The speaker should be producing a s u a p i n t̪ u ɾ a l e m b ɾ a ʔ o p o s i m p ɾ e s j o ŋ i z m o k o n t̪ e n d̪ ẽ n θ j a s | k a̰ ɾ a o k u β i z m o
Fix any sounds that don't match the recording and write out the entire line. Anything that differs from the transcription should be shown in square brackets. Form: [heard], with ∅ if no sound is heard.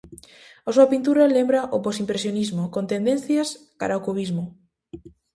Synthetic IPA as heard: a s u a p i n t̪ u ɾ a l e m b ɾ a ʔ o p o s i m p ɾ e s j o [n] i z m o k o n t̪ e n d̪ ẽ n θ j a s | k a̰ ɾ a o k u β i z m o